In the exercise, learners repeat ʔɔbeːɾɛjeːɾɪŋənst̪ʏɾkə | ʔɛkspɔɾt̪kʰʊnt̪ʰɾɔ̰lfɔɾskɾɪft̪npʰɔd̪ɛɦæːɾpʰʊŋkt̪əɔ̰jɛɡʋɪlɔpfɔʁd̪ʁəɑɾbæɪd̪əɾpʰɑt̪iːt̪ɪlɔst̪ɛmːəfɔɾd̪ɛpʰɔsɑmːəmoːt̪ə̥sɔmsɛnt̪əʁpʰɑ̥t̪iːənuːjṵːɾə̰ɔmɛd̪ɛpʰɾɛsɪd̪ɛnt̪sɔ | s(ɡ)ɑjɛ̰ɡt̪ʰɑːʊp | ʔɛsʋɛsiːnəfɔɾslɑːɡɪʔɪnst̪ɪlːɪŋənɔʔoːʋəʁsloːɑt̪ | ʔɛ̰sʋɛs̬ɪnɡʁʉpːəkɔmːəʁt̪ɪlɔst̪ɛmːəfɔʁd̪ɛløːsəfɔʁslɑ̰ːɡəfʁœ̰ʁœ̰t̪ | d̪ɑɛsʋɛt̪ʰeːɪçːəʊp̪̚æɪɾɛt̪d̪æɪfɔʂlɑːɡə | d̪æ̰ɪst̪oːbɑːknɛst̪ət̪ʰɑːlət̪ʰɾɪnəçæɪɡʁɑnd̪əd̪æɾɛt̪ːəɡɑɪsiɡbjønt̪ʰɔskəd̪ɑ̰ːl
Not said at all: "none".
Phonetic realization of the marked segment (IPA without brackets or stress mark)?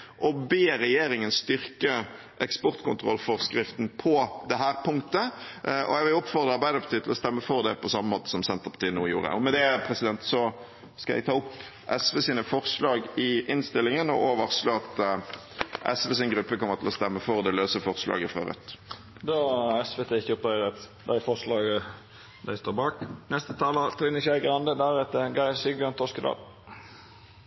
k